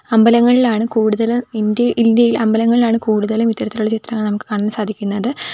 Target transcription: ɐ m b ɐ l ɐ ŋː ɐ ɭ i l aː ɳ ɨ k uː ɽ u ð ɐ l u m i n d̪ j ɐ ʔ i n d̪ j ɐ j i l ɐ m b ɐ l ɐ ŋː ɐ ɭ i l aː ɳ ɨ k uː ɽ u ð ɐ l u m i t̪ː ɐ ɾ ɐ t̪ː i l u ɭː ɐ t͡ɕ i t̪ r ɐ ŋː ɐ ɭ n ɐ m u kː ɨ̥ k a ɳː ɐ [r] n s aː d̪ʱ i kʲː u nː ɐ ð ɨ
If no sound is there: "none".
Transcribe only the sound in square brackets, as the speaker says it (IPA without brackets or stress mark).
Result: none